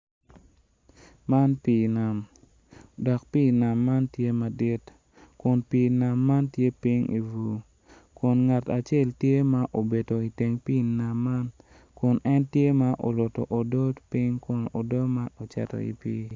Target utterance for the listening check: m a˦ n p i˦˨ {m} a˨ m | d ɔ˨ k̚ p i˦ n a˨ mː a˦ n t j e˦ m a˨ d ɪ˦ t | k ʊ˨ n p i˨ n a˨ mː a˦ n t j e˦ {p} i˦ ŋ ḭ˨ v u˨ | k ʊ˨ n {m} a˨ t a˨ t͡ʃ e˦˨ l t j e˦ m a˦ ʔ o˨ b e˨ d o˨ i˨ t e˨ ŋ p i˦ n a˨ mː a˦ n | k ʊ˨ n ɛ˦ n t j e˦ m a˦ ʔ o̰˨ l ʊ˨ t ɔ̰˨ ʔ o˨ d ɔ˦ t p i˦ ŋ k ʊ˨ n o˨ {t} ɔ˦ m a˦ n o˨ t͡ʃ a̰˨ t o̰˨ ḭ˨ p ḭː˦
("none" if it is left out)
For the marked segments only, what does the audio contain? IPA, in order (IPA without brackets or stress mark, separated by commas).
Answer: n, p, ŋ, d